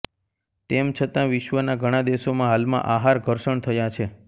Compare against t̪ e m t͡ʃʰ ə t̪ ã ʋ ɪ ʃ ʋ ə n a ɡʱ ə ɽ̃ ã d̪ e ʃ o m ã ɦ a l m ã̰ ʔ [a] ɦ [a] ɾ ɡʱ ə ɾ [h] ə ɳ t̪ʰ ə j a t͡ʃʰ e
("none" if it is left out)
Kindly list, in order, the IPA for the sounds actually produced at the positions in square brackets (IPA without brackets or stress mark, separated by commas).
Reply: a, a, ʃ